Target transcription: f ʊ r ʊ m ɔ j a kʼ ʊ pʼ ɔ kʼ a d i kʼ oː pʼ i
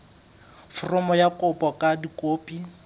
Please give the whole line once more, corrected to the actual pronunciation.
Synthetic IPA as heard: f ʊ r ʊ m ɔ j a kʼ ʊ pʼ ɔ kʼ a d i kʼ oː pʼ i